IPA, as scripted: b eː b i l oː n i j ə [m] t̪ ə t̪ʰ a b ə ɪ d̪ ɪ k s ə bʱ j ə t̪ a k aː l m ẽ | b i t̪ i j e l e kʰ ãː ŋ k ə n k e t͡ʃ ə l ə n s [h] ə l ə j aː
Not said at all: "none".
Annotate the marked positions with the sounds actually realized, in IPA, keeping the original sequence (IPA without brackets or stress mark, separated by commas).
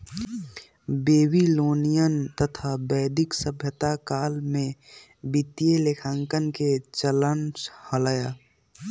n, h